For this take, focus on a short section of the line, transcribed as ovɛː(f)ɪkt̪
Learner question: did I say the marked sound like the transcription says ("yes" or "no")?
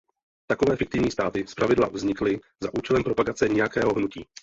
yes